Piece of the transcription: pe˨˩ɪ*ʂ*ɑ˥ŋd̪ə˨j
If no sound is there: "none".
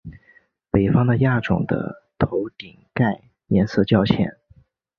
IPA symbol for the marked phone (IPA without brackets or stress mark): f